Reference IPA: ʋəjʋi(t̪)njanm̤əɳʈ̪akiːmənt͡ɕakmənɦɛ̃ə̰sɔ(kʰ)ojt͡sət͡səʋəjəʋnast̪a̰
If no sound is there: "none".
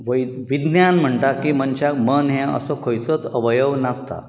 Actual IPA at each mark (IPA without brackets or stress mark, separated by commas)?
d̪, kʰ